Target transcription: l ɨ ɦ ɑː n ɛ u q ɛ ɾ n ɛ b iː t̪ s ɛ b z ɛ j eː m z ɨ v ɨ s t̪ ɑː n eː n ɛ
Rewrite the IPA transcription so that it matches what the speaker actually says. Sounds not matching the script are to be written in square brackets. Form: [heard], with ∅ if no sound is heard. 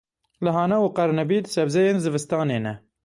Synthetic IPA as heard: l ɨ ɦ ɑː n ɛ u q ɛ ɾ n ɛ b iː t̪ s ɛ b z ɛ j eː [n] z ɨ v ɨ s t̪ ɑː n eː n ɛ